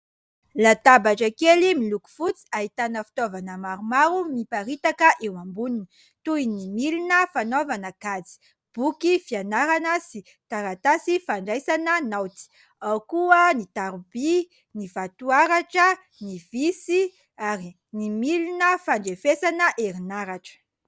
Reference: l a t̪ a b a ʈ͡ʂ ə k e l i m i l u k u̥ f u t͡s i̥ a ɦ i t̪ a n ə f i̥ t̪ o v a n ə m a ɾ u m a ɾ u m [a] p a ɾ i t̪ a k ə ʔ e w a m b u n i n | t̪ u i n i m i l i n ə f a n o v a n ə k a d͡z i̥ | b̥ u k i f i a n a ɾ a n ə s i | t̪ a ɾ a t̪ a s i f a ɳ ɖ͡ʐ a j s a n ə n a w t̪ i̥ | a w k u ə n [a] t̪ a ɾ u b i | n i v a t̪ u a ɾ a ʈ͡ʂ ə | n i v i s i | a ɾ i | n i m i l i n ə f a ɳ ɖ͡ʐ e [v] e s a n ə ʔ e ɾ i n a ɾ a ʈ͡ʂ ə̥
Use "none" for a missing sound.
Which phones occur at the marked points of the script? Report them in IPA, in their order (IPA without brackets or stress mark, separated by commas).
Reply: i, i, f